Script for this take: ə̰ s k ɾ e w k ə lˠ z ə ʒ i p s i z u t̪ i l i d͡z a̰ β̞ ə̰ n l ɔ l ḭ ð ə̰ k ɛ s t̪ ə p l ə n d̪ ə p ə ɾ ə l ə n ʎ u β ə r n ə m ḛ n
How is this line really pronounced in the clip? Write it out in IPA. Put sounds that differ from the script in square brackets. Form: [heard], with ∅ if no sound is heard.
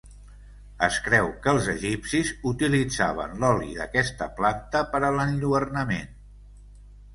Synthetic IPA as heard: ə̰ s k ɾ [ɛ] w k ə lˠ z ə ʒ i p s i z u t̪ i l i d͡z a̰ β̞ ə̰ n l ɔ l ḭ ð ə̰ k ɛ s t̪ ə p l [a] n [t̪] ə p ə ɾ ə l ə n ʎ u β ə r n ə m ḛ n